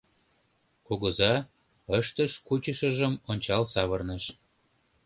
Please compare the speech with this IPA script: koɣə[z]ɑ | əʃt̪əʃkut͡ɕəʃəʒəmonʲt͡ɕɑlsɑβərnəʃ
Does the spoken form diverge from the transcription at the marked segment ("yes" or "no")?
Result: no